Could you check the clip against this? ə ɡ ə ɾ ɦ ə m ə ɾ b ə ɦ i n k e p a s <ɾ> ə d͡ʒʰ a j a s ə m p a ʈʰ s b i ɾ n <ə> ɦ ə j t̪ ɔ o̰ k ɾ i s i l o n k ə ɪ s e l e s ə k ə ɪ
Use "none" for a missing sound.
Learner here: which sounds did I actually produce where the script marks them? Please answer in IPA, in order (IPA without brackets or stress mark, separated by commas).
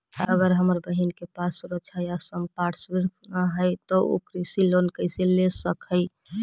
ɾ, a